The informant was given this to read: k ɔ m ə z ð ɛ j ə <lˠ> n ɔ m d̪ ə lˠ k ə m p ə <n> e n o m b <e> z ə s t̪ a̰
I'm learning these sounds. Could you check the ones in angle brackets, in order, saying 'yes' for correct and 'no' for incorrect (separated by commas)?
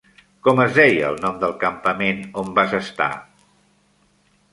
yes, no, no